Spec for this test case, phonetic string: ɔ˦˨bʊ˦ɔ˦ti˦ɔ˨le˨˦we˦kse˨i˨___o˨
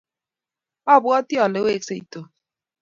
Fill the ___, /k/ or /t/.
t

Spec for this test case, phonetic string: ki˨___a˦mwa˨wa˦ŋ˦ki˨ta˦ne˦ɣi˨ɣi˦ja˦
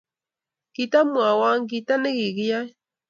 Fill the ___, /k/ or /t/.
t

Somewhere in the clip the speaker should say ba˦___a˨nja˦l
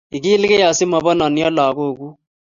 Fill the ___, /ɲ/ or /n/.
n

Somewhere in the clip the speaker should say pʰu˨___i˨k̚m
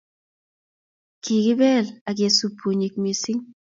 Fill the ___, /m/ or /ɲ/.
ɲ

